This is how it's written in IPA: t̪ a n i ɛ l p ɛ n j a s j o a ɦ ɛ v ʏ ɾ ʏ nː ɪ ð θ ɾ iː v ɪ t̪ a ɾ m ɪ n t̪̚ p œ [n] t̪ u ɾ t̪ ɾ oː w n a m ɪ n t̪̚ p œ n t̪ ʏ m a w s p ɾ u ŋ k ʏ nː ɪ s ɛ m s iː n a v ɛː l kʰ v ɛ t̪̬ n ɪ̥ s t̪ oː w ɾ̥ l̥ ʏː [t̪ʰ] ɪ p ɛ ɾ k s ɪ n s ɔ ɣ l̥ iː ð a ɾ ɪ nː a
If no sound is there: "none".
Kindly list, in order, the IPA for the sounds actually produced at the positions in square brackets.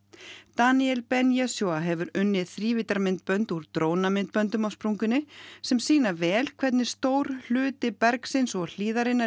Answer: n, t̪

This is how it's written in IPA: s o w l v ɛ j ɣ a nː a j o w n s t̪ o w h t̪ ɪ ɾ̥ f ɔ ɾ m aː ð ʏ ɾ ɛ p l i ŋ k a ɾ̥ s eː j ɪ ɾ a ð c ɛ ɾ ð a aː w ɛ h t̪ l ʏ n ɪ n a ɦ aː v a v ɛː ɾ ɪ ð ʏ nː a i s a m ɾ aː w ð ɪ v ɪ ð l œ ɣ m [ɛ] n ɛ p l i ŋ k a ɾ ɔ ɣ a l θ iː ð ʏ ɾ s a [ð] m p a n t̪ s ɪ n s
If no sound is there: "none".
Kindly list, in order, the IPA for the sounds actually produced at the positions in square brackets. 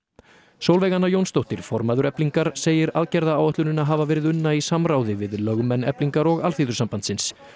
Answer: ɛ, none

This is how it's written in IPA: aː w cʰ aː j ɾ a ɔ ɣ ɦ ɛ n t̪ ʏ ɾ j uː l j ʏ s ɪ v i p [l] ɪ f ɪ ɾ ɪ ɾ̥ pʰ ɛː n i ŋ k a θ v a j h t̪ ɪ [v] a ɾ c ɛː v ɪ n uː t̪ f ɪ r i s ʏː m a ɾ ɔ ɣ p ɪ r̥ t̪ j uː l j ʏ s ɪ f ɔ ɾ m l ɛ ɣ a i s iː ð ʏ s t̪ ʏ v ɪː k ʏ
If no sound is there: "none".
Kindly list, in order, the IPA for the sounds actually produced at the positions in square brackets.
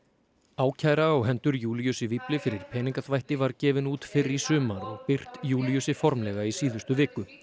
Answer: l, v

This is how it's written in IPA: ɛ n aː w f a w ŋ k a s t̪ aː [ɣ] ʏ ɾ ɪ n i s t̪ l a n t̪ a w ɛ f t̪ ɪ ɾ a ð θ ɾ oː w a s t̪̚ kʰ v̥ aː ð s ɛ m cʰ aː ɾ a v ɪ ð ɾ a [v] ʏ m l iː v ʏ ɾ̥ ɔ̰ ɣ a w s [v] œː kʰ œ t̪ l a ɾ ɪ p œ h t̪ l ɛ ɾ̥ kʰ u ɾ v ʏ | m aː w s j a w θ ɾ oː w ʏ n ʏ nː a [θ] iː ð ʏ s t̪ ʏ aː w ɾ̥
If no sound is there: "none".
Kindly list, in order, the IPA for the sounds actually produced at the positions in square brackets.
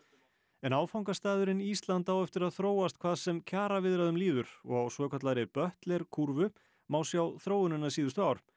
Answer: ð, ð, v, s

